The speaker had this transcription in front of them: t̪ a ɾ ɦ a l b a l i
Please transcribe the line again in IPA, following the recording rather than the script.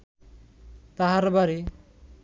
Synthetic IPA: t̪ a ɦ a ɾ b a ɾ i

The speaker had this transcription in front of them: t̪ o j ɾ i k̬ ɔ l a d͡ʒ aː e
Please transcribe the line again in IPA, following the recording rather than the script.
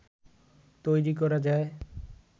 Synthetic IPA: t̪ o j ɾ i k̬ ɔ ɾ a d͡ʒ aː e

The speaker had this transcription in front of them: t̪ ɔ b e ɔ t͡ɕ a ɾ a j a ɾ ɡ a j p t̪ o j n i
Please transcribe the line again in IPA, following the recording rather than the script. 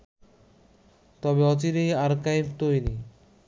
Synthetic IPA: t̪ ɔ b e ɔ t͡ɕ i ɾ e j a ɾ k a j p t̪ o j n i

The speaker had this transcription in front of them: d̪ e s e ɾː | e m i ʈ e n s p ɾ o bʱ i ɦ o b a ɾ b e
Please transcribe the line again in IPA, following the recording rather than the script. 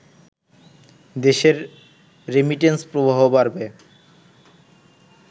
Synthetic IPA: d̪ e ʃ e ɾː | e m i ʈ e n s p ɾ o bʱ a ɦ o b a ɾ b e

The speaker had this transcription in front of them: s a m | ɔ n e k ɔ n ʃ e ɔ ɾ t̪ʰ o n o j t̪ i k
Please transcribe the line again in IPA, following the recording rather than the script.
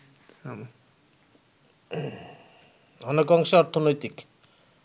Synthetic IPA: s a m | ɔ n e k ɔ ŋ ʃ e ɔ ɾ t̪ʰ o n o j t̪ i k

